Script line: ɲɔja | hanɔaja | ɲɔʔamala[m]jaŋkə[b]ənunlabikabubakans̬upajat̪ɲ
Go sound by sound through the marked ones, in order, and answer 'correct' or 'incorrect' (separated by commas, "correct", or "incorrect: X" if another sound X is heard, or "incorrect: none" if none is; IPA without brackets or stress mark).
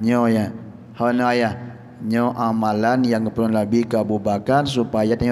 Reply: incorrect: n, incorrect: p